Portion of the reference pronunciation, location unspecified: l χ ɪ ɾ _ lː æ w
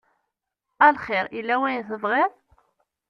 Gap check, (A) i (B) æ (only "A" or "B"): A